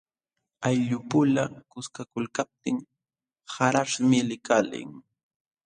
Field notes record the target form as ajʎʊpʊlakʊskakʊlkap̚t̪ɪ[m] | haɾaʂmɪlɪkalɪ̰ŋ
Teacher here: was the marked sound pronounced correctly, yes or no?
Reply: no